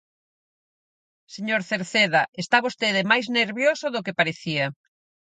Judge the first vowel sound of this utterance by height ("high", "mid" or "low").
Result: mid